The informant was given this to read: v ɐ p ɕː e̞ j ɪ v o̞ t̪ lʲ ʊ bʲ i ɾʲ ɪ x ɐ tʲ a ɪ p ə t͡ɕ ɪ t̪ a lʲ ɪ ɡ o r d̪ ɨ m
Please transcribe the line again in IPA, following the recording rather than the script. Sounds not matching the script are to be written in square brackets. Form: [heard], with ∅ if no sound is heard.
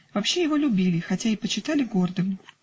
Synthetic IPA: v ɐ p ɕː e̞ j ɪ v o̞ [∅] lʲ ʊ bʲ i [lʲ] ɪ x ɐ tʲ a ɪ p ə t͡ɕ ɪ t̪ a lʲ ɪ ɡ o r d̪ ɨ m